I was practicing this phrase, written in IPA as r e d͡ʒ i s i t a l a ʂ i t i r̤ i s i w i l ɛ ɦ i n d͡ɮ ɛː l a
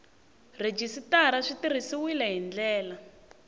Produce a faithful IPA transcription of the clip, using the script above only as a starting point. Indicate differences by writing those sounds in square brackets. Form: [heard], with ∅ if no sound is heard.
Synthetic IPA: r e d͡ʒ i s i t a [ɾ] a ʂ i t i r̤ i s i w i l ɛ ɦ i n d͡ɮ ɛː l a

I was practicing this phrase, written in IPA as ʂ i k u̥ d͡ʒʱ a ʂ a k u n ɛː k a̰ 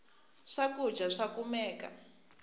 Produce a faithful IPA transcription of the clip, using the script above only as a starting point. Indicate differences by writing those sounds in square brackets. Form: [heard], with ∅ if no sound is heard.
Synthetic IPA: ʂ [a] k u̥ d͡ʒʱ a ʂ a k u [m] ɛː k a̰

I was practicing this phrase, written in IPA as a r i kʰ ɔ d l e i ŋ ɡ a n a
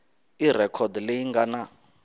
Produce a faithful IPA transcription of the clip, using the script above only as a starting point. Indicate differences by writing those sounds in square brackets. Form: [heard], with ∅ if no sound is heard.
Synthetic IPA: [i] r [ɛ] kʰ ɔ d l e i ŋ ɡ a n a

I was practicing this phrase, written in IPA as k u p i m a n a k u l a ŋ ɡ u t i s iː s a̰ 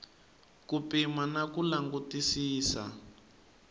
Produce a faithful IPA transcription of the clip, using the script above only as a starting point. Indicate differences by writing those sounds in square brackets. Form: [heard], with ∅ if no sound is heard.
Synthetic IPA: k u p i m a n a k u l a ŋ ɡ u t i s iː s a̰

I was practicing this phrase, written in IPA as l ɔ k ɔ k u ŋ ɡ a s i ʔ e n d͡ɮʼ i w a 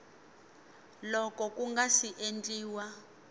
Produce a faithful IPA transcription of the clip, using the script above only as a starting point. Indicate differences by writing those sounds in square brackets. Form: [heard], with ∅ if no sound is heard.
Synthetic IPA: l ɔ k ɔ k u ŋ ɡ a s i ʔ e n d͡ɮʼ [iː] w a

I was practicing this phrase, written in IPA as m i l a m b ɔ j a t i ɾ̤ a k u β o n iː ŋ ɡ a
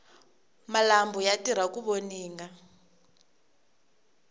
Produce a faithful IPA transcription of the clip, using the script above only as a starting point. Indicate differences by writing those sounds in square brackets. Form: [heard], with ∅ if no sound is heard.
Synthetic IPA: m [a] l a m b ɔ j a t i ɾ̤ a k u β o n iː ŋ ɡ a

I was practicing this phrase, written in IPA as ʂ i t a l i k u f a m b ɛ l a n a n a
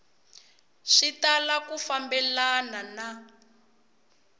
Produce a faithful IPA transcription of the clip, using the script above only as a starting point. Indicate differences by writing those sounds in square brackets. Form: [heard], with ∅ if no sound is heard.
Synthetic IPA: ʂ i t a l [a] k u f a m b ɛ l a n a n a

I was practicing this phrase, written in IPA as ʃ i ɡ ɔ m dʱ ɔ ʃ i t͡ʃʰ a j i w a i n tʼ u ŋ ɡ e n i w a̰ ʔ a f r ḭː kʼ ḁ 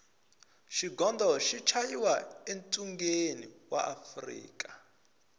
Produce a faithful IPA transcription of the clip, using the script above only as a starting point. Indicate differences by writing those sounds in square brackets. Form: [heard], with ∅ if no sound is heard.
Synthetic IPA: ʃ i ɡ ɔ [n] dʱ ɔ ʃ i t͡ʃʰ a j i w a [e] n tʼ u ŋ ɡ e n i w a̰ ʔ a f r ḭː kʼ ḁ

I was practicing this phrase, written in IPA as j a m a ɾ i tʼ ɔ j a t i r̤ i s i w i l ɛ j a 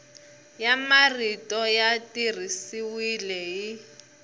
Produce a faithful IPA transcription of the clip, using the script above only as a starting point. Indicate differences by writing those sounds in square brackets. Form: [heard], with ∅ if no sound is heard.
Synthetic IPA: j a m a [r] i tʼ ɔ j a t i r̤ i s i w i l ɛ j [i]

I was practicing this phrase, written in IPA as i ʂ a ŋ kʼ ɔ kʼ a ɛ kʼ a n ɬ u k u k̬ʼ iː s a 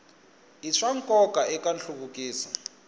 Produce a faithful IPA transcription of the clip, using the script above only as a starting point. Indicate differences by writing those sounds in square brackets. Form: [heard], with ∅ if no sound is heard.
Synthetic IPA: i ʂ a ŋ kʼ ɔ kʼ a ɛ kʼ a n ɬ u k u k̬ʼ iː s a

